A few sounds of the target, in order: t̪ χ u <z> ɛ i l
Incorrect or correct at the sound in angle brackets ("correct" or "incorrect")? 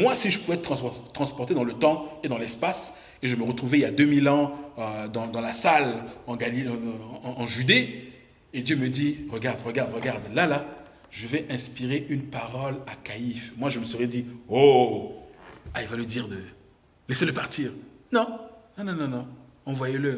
incorrect